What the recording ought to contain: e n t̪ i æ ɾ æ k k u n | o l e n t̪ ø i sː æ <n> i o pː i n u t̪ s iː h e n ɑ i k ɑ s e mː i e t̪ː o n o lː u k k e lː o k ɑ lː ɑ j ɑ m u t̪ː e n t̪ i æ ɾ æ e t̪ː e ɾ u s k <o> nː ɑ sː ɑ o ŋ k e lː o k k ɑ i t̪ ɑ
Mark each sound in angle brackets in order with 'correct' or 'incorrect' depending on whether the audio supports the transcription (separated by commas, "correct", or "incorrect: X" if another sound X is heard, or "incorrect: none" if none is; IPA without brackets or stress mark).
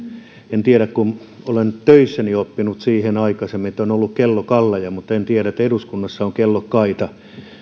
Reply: correct, incorrect: u